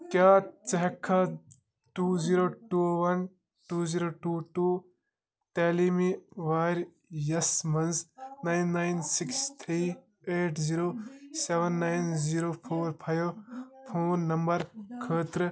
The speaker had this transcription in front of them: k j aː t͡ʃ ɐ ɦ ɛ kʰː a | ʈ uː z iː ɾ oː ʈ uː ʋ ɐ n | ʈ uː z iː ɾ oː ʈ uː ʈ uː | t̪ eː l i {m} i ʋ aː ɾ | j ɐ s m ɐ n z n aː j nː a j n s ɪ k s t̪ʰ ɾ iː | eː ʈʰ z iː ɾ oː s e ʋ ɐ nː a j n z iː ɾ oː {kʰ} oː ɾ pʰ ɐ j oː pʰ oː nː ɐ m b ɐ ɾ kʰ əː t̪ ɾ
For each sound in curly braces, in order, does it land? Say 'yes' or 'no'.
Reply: yes, no

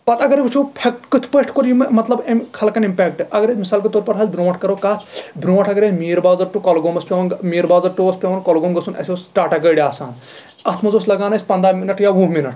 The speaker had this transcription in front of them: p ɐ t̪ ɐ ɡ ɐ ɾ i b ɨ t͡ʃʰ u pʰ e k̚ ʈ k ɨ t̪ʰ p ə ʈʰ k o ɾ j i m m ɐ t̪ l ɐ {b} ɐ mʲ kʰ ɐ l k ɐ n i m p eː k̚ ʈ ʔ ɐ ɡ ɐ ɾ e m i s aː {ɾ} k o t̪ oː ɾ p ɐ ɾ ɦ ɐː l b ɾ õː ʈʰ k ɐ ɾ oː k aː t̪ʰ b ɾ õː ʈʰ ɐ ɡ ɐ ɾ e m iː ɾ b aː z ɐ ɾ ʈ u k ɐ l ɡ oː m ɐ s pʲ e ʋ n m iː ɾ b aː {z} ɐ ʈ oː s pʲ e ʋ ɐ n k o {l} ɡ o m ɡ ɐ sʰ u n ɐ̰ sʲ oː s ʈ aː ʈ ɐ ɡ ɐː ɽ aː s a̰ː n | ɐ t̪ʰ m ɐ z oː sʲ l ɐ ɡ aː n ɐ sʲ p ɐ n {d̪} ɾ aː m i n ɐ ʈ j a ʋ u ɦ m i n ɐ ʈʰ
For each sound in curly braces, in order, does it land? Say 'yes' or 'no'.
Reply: yes, no, yes, yes, yes

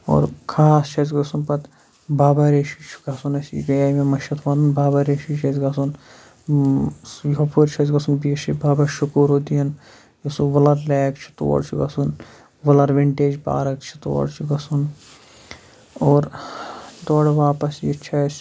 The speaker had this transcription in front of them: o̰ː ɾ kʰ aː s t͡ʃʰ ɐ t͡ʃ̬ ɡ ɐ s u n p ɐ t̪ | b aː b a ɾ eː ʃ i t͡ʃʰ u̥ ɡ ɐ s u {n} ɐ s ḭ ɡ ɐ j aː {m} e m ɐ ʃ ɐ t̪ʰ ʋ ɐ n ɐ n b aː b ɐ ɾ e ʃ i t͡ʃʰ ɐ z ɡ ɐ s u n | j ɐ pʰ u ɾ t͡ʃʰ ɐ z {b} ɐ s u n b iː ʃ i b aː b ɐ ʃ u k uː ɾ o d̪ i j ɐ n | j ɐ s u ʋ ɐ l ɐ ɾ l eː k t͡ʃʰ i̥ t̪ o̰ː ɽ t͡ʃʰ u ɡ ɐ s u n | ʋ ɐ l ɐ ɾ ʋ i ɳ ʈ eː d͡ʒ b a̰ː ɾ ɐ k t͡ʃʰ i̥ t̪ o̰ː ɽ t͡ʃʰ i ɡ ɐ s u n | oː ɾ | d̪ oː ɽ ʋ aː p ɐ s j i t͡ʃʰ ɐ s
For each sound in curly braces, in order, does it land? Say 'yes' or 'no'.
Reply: yes, yes, no

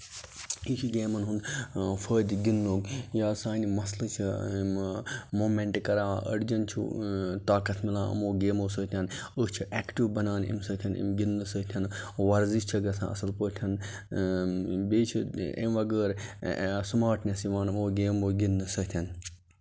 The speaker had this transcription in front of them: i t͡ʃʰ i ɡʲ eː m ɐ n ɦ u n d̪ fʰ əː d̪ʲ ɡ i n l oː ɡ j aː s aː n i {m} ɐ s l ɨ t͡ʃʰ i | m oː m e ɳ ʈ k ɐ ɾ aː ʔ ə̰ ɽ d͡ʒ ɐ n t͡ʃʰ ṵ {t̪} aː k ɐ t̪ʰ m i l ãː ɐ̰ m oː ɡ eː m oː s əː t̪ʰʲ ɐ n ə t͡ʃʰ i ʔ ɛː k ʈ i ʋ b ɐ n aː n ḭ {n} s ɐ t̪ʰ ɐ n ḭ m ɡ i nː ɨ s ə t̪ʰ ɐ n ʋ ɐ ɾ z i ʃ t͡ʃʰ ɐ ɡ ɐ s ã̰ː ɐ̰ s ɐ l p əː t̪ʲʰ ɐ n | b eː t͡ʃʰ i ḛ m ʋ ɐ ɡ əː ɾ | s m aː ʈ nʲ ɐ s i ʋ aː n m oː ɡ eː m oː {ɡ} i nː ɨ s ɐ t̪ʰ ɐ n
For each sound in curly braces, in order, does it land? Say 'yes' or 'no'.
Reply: yes, yes, no, yes

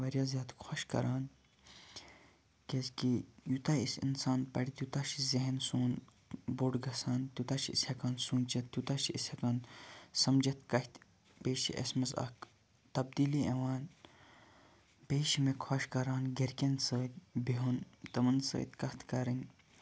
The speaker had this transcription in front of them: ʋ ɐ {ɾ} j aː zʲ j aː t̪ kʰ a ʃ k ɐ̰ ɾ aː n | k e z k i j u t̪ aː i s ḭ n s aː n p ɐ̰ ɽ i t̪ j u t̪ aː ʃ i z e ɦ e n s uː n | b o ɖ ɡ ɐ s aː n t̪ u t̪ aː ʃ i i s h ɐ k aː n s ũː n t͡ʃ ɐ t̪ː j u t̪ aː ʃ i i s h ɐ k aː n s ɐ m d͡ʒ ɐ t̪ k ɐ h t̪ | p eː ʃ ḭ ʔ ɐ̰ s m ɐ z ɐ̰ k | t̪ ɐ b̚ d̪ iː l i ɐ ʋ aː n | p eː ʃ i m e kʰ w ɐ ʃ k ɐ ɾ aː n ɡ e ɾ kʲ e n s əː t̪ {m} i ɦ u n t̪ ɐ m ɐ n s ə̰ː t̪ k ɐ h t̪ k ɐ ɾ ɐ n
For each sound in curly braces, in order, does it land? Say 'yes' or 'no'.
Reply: yes, no

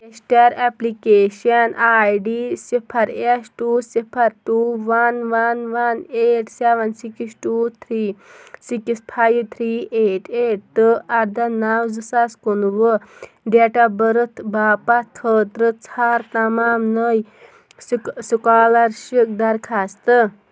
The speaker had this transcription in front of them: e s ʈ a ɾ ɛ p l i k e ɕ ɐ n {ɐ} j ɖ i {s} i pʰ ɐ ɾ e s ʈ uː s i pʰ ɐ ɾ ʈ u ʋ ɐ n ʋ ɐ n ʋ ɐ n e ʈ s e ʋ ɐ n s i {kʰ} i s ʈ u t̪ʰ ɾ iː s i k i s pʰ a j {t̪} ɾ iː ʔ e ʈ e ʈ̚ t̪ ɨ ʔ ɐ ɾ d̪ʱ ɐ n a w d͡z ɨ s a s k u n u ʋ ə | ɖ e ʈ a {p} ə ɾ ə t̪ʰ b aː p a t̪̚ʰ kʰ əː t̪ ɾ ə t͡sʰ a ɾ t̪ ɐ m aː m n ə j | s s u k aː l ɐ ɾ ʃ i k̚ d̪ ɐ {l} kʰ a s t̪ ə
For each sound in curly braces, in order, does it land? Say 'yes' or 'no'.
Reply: no, yes, no, no, no, no

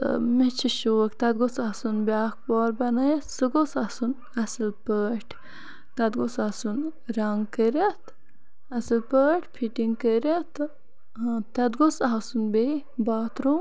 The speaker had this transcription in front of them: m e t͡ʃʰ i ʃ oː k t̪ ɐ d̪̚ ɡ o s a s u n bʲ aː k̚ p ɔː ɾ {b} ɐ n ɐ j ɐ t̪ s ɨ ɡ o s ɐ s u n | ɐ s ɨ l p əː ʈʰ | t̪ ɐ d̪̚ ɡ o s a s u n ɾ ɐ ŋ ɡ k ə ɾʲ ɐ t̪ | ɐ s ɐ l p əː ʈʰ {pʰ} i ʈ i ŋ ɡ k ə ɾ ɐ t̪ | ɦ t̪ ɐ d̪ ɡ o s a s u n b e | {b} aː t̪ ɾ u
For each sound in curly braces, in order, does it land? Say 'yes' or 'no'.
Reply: yes, yes, yes

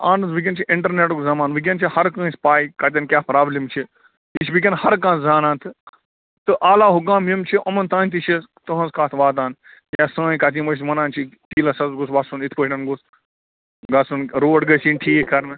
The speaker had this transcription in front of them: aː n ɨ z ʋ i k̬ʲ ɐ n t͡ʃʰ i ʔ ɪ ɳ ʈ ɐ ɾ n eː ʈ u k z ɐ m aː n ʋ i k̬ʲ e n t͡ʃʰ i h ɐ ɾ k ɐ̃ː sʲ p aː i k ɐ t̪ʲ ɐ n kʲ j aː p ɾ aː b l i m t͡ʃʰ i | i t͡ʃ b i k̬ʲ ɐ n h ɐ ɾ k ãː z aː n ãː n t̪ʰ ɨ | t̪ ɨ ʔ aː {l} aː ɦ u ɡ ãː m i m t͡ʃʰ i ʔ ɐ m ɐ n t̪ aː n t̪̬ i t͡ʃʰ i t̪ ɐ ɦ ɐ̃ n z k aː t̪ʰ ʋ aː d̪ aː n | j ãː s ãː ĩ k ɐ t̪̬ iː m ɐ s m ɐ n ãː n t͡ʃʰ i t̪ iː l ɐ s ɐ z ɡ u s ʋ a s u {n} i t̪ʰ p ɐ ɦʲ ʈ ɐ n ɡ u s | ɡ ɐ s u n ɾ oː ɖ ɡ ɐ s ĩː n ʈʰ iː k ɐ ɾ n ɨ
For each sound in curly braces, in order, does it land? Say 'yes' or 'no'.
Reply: yes, yes

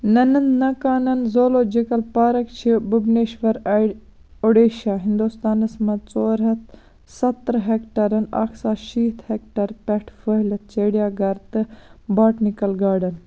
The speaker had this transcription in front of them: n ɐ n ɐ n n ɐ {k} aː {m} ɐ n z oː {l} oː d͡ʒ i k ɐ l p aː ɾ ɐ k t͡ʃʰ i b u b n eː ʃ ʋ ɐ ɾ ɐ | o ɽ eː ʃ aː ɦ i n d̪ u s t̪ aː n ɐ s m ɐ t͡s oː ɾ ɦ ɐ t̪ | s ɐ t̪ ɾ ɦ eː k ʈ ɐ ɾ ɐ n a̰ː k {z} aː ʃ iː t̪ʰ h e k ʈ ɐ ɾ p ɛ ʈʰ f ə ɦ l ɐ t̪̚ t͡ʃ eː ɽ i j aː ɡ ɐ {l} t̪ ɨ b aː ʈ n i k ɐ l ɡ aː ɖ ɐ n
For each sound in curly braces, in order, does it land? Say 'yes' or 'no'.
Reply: yes, no, yes, no, no

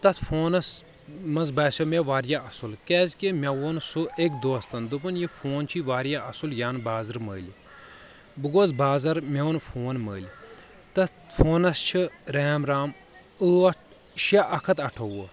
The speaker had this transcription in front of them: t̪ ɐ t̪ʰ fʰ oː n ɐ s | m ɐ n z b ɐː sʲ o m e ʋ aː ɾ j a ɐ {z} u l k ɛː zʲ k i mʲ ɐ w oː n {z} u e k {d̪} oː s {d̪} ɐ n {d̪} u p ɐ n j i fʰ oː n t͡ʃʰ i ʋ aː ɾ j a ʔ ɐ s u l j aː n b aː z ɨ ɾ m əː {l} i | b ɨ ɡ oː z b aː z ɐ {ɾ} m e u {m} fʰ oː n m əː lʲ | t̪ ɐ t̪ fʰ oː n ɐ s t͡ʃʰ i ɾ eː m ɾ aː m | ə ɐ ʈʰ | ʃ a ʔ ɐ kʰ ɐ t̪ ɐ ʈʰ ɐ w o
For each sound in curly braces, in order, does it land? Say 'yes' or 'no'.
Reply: no, no, yes, no, yes, yes, yes, no

